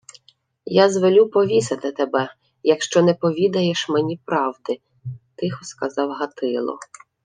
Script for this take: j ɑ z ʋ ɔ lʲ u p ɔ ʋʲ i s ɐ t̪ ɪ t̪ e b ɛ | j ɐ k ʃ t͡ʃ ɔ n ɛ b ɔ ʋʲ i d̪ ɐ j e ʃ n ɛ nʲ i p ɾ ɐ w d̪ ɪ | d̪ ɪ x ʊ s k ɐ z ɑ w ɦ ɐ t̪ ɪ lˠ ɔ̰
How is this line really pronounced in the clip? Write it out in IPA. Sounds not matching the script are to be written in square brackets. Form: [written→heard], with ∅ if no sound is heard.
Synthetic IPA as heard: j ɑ z ʋ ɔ lʲ u p ɔ ʋʲ i s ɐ t̪ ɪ t̪ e b ɛ | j ɐ k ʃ t͡ʃ ɔ n ɛ [b→p] ɔ ʋʲ i d̪ ɐ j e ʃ [n→m] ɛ nʲ i p ɾ [ɐ→ɑ] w d̪ ɪ | [d̪→t̪] ɪ x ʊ s k ɐ z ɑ w ɦ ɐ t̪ ɪ lˠ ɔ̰

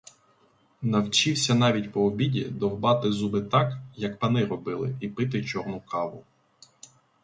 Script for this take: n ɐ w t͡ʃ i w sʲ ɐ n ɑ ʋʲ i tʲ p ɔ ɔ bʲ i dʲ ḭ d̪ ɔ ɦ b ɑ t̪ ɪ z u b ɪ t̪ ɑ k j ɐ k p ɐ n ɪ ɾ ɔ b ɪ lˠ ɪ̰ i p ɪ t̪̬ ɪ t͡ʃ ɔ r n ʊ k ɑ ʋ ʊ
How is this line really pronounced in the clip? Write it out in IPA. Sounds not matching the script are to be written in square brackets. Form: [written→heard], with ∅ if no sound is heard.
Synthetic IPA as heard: n ɐ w t͡ʃ i w sʲ ɐ n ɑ ʋʲ i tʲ p ɔ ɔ bʲ i dʲ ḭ d̪ ɔ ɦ b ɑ t̪ ɪ z u b ɪ t̪ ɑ k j ɐ k p ɐ n ɪ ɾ ɔ b ɪ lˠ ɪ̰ i p ɪ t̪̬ ɪ t͡ʃ ɔ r n ʊ k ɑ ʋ ʊ

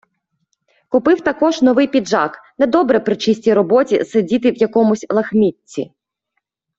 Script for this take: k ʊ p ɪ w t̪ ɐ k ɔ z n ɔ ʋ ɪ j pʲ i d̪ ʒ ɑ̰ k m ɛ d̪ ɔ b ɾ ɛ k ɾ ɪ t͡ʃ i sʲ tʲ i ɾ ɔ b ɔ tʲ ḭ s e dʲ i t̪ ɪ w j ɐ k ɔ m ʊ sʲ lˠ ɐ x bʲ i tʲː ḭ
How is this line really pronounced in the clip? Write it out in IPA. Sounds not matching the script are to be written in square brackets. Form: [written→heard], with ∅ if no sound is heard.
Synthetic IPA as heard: k ʊ p ɪ w t̪ ɐ k ɔ [z→ʒ] n ɔ ʋ ɪ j pʲ i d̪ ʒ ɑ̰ k [m→n] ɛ d̪ ɔ b ɾ ɛ [k→p] ɾ ɪ t͡ʃ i sʲ tʲ i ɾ ɔ b ɔ tʲ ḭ s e dʲ i t̪ ɪ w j ɐ k ɔ m ʊ sʲ lˠ ɐ x [bʲ→mʲ] i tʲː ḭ

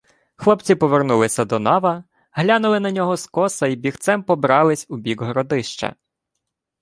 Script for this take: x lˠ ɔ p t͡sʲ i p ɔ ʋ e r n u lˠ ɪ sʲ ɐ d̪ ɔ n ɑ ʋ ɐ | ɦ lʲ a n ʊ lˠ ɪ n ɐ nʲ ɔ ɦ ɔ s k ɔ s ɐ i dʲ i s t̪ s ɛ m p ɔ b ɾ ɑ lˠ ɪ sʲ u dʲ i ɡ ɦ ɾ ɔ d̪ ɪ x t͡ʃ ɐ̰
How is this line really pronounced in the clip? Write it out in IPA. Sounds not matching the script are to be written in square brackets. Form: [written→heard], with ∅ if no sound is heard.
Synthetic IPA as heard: x lˠ ɔ p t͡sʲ i p ɔ ʋ e r n u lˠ ɪ sʲ ɐ d̪ ɔ n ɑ ʋ ɐ | ɦ lʲ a n ʊ lˠ ɪ n ɐ nʲ ɔ ɦ ɔ s k ɔ s ɐ i [dʲ→bʲ] i [s→x] t̪ s ɛ m p ɔ b ɾ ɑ lˠ ɪ sʲ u [dʲ→bʲ] i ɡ ɦ ɾ ɔ d̪ ɪ [x→ʃ] t͡ʃ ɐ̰

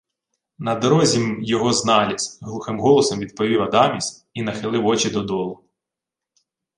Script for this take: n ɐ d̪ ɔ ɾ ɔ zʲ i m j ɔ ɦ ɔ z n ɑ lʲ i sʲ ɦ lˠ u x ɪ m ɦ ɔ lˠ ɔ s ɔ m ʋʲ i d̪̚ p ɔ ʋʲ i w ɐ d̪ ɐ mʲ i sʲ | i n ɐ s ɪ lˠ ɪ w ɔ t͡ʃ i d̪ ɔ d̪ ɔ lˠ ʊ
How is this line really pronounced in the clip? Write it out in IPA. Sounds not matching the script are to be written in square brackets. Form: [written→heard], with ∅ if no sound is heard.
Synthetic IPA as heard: n ɐ d̪ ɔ ɾ ɔ zʲ i m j ɔ ɦ ɔ z n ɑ lʲ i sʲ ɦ lˠ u x ɪ m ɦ ɔ lˠ ɔ s ɔ m ʋʲ i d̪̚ p ɔ ʋʲ i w ɐ d̪ [ɐ→ɑ] mʲ i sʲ | i n ɐ [s→x] ɪ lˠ ɪ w ɔ t͡ʃ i d̪ ɔ d̪ ɔ lˠ ʊ

